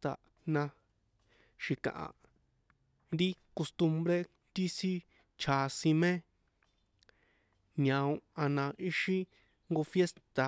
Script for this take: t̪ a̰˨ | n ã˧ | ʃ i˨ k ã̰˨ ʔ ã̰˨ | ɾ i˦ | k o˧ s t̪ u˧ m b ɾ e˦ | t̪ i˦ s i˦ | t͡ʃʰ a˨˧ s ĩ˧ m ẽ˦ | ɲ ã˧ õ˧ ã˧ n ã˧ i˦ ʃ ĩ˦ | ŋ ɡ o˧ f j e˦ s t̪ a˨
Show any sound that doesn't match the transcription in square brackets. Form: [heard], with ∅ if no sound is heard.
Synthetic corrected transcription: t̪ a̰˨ | n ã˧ | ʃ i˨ k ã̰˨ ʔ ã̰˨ | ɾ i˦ | k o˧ s t̪ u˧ m b ɾ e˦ | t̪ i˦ s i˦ | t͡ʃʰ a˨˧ s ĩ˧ m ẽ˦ | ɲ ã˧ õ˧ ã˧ n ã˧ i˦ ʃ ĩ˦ | ŋ ɡ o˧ f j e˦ s t̪ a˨